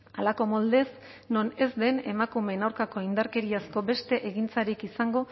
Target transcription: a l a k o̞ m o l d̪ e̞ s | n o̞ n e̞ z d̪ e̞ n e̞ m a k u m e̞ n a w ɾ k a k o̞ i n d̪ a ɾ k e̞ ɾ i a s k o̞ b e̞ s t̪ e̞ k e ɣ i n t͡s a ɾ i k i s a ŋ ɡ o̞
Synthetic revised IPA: a l a k o̞ m o l d̪ e̞ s | n o̞ n e̞ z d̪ e̞ n e̞ m a k u m e̞ n a w ɾ k a k o̞ i n d̪ a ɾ k e̞ ɾ i a s k o̞ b e̞ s t̪ e̞ ʔ e ɣ i n t͡s a ɾ i k i s a ŋ ɡ o̞